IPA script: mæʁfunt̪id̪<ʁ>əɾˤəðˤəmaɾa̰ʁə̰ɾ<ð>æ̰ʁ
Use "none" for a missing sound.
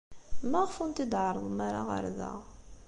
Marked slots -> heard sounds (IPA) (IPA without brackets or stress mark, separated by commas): ʕ, ð